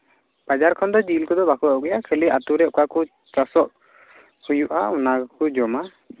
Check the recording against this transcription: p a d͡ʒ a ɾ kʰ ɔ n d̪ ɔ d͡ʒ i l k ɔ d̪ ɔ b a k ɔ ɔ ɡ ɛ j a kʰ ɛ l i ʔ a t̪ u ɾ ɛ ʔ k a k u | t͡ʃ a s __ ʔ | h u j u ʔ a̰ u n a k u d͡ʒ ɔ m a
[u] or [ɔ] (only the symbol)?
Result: ɔ